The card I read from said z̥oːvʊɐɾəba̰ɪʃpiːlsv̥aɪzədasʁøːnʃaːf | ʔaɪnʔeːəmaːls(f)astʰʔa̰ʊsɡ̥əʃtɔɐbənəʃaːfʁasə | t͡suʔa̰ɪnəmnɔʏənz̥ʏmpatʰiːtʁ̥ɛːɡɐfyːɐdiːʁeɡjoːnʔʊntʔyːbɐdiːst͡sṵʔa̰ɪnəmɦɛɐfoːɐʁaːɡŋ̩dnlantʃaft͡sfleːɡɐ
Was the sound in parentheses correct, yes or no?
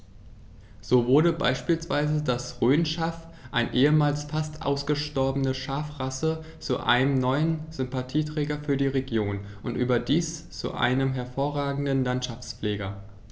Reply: yes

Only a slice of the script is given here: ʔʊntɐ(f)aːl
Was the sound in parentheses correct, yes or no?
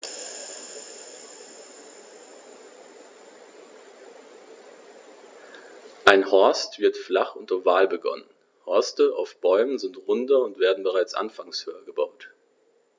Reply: no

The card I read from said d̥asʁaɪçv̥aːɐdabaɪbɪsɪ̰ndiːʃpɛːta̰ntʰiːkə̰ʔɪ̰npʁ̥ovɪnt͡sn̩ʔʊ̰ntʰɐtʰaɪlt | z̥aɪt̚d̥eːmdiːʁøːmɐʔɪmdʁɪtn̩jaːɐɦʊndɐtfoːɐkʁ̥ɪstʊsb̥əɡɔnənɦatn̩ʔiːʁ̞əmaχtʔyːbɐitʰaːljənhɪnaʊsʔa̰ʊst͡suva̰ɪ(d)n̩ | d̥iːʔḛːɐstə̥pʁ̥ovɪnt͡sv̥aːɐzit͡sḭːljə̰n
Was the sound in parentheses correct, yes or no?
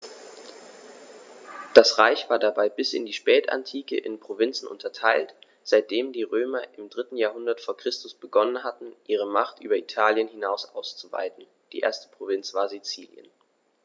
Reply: no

